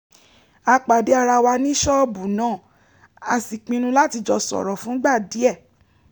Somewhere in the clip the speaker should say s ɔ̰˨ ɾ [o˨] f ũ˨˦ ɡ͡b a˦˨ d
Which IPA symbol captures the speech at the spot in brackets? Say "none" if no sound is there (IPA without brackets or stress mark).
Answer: ɔ˨